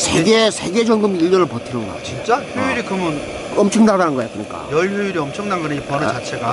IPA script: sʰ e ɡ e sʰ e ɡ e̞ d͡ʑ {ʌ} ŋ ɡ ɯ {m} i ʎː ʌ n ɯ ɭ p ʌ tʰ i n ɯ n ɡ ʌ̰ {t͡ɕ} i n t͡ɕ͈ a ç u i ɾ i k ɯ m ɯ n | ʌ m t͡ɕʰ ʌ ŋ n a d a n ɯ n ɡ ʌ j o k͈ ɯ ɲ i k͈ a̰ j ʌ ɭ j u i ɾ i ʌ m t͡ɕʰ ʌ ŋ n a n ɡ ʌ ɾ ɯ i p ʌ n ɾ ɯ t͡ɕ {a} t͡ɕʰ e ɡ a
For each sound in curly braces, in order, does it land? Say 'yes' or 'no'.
yes, yes, yes, yes

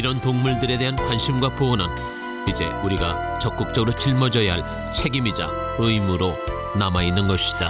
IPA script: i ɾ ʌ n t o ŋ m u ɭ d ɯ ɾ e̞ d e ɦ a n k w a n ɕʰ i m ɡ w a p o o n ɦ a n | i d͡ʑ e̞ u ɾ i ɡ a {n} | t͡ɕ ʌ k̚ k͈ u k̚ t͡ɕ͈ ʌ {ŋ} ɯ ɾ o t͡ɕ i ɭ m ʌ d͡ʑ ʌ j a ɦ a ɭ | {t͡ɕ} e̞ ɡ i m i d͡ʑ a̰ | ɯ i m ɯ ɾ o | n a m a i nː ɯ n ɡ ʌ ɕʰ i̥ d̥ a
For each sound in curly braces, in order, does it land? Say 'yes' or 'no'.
no, no, no

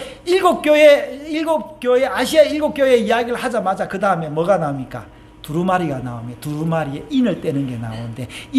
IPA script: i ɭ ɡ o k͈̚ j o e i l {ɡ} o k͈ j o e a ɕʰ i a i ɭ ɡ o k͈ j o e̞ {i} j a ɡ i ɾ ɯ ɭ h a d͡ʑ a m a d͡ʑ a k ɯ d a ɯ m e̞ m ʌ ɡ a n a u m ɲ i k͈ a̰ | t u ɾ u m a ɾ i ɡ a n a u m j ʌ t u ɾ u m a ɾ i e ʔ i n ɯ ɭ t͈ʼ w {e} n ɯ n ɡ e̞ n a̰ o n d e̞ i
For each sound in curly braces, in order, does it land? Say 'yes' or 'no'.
yes, yes, yes

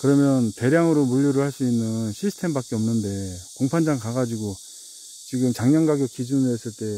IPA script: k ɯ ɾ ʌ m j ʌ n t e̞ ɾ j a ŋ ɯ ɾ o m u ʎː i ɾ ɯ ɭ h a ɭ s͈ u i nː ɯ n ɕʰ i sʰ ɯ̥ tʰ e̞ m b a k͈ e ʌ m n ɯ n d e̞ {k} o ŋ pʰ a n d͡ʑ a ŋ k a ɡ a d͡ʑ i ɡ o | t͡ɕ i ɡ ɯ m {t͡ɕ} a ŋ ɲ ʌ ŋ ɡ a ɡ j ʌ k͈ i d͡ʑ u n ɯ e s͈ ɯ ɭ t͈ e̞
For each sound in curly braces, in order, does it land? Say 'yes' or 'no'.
yes, yes

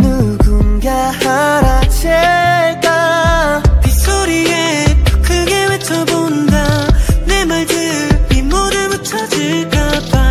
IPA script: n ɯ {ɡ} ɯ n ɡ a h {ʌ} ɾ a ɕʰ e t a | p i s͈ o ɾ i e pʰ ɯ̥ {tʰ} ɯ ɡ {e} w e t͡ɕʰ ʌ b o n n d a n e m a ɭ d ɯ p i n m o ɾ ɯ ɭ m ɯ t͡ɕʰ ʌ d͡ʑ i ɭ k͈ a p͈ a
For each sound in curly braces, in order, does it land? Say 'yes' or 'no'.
yes, no, no, yes

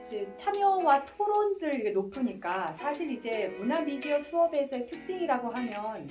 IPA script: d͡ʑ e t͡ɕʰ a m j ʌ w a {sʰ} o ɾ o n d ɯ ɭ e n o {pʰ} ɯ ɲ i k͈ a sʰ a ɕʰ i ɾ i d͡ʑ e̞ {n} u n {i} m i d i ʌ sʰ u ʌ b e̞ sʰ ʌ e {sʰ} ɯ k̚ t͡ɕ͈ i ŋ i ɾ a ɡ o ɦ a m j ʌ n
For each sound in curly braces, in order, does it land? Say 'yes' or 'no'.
no, yes, no, no, no

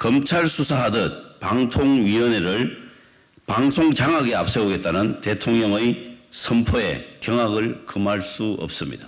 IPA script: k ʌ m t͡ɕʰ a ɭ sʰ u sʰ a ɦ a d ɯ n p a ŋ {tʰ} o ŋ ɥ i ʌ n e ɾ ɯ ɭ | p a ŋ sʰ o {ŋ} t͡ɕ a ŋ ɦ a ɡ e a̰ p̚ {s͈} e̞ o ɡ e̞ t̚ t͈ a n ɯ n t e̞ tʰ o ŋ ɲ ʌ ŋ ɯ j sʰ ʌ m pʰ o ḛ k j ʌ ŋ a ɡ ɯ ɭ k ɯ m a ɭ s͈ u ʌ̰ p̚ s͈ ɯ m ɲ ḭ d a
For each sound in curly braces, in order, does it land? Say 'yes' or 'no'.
yes, yes, yes

